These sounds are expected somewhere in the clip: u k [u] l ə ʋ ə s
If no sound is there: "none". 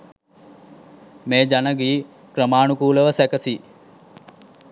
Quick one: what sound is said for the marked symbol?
uː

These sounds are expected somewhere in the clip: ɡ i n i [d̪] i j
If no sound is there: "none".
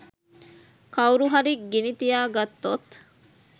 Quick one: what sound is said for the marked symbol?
t̪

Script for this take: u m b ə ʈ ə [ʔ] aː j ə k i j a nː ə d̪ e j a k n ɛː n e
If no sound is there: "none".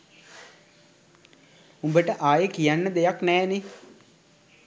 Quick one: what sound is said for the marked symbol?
ʔ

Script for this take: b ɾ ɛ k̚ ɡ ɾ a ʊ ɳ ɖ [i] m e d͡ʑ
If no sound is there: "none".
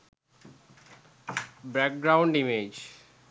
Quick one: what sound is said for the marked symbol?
i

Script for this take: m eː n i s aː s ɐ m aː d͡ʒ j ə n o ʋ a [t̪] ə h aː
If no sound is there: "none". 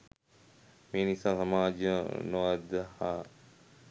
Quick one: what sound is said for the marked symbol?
d̪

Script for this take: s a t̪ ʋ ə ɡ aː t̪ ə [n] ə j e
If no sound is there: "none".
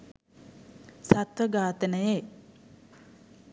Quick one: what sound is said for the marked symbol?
n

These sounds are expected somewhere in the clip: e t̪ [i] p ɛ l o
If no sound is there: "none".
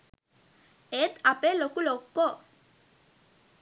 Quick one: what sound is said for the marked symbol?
a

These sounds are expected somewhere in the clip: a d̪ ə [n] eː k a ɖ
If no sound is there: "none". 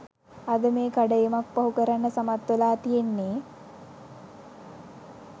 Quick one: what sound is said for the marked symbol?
m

